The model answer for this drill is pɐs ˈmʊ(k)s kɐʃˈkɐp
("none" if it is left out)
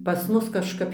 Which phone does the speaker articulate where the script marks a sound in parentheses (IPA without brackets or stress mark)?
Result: none